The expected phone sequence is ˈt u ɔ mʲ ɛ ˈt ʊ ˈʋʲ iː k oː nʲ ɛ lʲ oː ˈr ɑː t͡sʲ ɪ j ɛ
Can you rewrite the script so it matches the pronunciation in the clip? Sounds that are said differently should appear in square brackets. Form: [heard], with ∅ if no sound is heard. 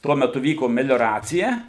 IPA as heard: ˈt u ɔ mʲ ɛ ˈt ʊ ˈʋʲ iː k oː [mʲ] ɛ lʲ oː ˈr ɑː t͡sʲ ɪ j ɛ